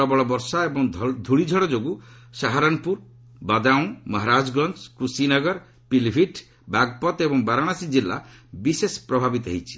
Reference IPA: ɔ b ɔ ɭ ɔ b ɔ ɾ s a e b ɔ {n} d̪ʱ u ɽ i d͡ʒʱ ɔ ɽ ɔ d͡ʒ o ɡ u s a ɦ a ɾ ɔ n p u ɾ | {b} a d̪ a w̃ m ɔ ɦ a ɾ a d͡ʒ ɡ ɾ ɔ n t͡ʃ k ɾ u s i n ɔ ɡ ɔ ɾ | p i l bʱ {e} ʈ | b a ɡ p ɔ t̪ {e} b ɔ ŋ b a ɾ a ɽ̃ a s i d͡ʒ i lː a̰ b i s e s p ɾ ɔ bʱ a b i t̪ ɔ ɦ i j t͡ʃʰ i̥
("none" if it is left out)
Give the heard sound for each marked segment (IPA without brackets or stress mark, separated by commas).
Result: ŋ, b, i, e